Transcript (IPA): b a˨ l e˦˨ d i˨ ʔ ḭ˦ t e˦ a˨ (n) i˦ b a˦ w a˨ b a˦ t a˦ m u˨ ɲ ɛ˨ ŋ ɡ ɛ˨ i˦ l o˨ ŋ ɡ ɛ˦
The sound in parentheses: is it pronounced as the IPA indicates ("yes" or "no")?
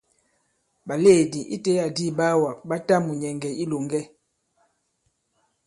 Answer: no